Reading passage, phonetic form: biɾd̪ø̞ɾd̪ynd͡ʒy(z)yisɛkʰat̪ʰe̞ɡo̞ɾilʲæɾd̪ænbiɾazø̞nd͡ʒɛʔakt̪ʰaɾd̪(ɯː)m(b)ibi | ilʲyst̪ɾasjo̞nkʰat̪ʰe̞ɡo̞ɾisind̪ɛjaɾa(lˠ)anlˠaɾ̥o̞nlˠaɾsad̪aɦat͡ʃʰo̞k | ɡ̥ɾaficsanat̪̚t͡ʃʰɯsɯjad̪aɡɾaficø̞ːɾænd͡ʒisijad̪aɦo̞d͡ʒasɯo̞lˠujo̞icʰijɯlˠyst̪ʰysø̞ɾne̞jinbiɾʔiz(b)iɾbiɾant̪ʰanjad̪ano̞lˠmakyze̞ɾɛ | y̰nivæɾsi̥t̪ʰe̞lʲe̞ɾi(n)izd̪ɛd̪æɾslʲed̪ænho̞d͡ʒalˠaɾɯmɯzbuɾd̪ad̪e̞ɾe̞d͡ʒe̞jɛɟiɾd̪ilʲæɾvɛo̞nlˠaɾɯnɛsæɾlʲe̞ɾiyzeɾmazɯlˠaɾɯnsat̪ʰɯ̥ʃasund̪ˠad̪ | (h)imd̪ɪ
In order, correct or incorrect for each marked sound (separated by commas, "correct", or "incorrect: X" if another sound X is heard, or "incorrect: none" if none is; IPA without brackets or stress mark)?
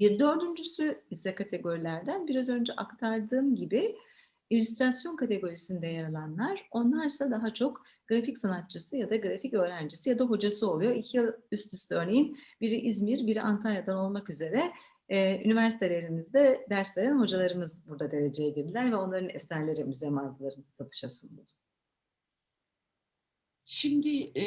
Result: incorrect: s, correct, incorrect: ɟ, correct, incorrect: m, incorrect: m, incorrect: ʃ